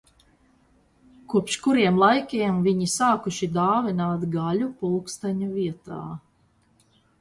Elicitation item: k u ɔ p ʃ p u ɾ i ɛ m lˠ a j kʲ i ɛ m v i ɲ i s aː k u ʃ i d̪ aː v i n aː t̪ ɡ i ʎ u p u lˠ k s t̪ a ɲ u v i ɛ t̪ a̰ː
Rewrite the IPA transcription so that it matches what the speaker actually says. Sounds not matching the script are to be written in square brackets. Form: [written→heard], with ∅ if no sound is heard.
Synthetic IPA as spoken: k u ɔ p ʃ [p→k] u ɾ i ɛ m lˠ a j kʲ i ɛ m v i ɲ i s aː k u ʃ i d̪ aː v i n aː t̪ ɡ [i→a] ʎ u p u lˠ k s t̪ a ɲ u v i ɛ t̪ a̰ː